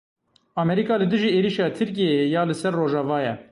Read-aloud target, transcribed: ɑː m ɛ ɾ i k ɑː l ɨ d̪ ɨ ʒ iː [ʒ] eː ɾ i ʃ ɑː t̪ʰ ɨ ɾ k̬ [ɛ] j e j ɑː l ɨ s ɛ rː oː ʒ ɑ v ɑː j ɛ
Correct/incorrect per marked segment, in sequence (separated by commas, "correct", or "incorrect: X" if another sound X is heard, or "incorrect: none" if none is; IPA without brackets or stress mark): incorrect: none, incorrect: i